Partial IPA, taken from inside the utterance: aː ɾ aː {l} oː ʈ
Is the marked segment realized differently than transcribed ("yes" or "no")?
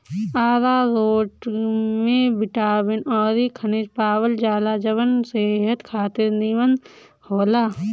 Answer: yes